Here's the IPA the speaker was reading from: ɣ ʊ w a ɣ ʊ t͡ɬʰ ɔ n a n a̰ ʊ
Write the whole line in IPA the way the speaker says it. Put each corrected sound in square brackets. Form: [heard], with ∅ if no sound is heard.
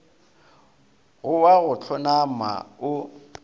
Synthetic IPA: ɣ ʊ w a ɣ ʊ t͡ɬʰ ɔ n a [m] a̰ ʊ